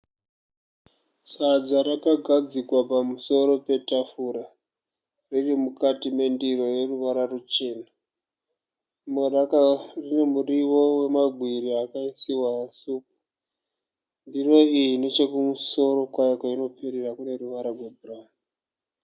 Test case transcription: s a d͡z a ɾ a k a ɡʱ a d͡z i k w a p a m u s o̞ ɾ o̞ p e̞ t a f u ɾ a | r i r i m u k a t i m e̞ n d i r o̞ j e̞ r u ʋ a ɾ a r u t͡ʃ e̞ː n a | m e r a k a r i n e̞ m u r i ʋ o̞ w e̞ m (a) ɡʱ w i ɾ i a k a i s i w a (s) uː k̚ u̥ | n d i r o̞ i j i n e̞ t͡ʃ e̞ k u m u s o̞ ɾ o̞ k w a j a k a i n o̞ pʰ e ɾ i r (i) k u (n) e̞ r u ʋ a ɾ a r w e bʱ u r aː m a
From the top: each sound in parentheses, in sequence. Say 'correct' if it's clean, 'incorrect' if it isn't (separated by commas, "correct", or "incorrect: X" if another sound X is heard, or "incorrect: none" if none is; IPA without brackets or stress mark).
correct, correct, incorrect: a, correct